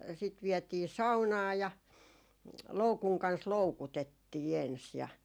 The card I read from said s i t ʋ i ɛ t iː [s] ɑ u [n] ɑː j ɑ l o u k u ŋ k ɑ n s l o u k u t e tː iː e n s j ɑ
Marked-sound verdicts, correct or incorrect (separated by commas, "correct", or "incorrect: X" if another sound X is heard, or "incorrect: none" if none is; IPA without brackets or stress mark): correct, correct